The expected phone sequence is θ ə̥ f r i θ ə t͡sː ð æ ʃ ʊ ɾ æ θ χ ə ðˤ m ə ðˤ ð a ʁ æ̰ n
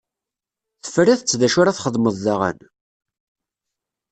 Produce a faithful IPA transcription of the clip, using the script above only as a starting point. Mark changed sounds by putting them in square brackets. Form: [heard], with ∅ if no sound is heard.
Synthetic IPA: θ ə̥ f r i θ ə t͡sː ð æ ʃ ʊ ɾ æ θ χ ə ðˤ m ə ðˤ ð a ʁ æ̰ n

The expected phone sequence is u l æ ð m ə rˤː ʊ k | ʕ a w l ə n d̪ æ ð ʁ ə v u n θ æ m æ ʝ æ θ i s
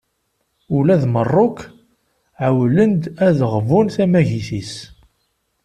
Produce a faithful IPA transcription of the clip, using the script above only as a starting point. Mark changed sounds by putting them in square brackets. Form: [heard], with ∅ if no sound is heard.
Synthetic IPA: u l æ ð m ə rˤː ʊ k | ʕ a w l ə n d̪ æ ð ʁ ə v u n θ æ m æ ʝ [i] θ i s

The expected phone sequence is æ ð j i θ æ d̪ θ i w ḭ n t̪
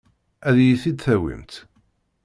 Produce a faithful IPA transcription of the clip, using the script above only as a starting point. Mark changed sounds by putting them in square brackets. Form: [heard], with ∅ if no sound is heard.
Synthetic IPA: æ ð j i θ [i] d̪ θ [æ] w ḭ [m] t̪

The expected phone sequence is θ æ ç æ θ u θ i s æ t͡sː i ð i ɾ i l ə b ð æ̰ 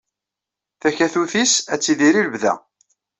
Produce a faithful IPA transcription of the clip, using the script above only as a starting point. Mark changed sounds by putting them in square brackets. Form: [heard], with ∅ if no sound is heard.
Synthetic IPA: θ æ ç æ θ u θ i s æ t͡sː i ð i ɾ i l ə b ð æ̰

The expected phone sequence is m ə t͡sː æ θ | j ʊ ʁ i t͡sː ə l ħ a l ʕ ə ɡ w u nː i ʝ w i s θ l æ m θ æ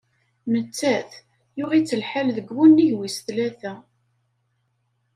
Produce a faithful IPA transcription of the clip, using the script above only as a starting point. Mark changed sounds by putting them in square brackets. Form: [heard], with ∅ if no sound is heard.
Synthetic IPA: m ə t͡sː æ θ | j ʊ ʁ i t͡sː ə l ħ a l [ð] ə ɡ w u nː i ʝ w i s θ l æ [∅] θ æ

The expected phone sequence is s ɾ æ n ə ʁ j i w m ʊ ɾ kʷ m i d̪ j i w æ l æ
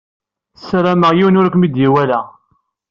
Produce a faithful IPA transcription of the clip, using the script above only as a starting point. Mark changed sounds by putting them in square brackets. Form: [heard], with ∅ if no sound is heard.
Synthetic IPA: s ɾ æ [m] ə ʁ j i w [n] ʊ ɾ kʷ m i d̪ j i w æ l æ

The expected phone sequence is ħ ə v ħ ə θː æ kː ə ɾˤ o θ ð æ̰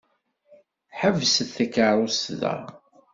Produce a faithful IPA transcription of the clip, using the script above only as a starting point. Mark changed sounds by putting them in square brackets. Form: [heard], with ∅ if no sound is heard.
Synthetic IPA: ħ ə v [s] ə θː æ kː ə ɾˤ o [s] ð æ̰

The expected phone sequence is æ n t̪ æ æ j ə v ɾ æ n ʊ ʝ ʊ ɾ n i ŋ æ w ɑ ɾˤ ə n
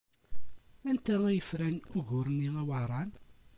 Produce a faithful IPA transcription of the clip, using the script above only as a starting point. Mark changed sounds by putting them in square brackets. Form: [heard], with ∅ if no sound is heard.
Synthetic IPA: æ n t̪ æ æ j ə [f] ɾ æ n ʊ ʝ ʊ ɾ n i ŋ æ w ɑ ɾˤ [ɑ] n

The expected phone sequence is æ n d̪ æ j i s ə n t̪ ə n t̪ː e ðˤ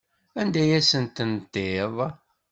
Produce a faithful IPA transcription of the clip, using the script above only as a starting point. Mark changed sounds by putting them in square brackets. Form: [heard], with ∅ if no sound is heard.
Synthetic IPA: æ n d̪ æ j [æ] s ə n t̪ ə n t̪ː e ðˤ

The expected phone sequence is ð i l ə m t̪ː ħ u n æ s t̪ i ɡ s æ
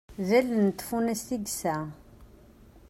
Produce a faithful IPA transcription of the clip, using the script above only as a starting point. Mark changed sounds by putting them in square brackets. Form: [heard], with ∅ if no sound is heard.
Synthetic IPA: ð [æ] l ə [n] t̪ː [f] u n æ s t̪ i ɡ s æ

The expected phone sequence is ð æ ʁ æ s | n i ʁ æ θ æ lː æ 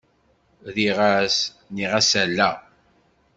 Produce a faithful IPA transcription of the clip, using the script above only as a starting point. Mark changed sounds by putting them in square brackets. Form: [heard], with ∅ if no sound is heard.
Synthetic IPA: ð [i] ʁ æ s | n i ʁ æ [s] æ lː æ

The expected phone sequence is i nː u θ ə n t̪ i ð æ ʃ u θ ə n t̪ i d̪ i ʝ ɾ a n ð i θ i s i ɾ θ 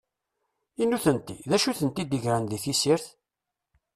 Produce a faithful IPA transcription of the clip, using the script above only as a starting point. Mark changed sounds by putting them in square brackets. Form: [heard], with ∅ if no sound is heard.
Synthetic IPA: i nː u θ ə n t̪ i ð æ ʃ u θ ə n t̪ i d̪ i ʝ ɾ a n ð i θ i s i ɾ θ

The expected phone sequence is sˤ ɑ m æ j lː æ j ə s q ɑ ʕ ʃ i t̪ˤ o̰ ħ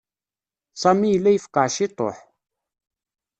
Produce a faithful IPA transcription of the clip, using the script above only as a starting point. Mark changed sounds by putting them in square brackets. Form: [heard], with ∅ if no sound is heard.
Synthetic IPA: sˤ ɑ m [i] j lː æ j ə [f] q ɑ ʕ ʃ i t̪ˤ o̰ ħ

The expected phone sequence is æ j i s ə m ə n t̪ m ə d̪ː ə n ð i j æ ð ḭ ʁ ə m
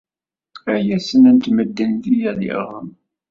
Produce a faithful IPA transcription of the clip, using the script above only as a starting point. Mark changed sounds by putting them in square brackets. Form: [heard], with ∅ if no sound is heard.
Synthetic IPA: æ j [æ] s ə [n] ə n t̪ m ə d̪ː ə n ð i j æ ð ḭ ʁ ə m

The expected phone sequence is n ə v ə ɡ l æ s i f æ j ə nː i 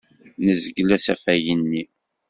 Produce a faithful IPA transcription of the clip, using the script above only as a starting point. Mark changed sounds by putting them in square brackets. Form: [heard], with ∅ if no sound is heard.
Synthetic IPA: n ə [z] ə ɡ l æ s [æ] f æ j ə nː i

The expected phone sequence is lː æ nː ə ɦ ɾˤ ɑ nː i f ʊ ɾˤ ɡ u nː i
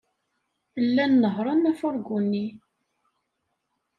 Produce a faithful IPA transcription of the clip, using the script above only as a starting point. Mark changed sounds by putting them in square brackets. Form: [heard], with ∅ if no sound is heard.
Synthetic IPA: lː æ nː ə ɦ ɾˤ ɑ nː [æ] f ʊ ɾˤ ɡ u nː i

